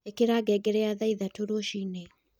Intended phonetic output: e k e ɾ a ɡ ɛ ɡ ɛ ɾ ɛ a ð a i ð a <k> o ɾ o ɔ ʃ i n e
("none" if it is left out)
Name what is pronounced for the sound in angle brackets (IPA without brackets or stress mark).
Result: t